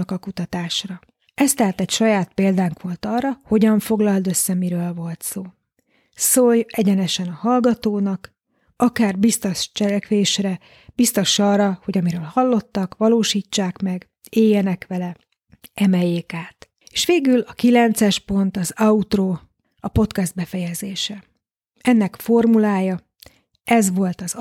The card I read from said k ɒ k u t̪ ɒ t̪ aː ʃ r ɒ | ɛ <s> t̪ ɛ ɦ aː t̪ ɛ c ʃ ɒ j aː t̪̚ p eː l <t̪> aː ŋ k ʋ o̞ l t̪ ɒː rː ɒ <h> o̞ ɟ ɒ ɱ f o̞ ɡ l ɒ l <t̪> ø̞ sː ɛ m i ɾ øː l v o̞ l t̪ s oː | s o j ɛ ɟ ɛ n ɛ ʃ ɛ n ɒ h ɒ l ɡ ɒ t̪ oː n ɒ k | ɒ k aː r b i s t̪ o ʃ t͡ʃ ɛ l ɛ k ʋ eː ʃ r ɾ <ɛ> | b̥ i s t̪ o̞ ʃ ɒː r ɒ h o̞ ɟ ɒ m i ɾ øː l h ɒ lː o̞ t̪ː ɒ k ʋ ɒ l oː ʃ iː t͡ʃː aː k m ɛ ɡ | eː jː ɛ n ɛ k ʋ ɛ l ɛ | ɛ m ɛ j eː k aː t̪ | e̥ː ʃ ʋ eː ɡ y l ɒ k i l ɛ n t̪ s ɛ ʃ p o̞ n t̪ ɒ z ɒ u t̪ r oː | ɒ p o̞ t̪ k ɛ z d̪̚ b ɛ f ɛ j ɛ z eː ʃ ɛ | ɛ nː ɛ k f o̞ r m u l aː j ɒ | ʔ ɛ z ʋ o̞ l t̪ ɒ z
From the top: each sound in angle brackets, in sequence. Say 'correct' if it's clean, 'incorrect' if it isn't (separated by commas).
correct, incorrect, correct, incorrect, correct